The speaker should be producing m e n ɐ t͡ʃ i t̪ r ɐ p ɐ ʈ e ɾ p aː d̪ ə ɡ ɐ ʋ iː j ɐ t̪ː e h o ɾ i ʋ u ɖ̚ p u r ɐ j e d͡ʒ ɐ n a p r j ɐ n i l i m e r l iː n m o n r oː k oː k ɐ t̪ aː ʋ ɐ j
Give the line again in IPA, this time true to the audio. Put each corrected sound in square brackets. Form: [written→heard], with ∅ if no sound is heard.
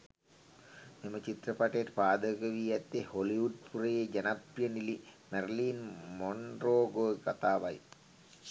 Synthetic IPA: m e [n→m] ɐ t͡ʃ i t̪ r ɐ p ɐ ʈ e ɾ p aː d̪ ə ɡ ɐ ʋ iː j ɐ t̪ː e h o [ɾ→l] i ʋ u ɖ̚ p u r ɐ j e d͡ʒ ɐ n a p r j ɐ n i l i m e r l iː n m o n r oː [k→ɡ] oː k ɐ t̪ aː ʋ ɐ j